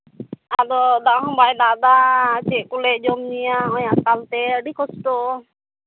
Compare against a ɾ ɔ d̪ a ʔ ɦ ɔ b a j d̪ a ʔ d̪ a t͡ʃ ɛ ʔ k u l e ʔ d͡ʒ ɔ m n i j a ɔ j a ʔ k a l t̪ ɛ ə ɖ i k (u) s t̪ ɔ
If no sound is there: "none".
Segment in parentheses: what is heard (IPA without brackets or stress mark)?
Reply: ɔ